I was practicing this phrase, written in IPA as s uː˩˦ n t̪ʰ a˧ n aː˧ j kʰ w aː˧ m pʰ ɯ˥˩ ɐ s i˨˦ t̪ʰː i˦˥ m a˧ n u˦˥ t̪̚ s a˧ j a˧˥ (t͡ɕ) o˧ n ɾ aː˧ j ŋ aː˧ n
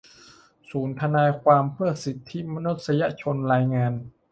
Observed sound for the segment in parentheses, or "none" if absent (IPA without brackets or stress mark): t͡ɕʰ